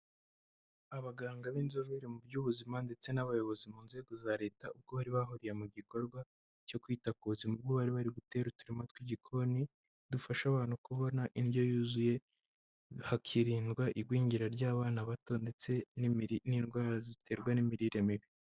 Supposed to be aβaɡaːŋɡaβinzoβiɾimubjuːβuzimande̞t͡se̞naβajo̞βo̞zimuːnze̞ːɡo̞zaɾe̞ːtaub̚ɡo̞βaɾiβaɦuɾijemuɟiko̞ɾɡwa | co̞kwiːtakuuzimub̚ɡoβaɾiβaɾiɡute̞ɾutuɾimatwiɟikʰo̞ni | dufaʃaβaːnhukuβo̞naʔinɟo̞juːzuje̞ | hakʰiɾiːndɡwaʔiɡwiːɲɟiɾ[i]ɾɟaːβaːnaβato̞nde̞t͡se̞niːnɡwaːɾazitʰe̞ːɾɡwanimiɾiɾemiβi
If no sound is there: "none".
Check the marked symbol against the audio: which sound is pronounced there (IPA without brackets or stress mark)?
a